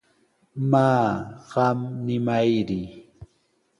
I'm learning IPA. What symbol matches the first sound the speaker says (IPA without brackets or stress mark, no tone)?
m